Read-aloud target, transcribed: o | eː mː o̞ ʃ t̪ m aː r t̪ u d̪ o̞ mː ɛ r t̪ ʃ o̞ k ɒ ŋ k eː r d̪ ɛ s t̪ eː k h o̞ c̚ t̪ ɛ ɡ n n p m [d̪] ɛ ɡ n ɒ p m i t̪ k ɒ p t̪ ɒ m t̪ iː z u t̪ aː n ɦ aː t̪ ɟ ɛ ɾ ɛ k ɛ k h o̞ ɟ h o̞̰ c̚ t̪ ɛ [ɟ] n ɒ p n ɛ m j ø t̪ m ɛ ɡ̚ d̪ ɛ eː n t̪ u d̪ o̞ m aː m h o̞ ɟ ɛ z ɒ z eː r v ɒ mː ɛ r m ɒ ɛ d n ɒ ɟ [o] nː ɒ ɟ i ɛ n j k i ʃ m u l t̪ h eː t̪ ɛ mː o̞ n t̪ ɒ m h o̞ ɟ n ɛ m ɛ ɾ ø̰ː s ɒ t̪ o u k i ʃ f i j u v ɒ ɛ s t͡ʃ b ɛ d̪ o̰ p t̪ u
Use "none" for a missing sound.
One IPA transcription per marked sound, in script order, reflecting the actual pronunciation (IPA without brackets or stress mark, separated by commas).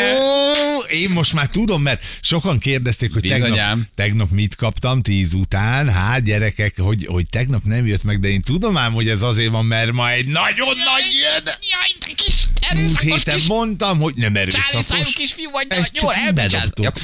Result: t̪, ɡ, o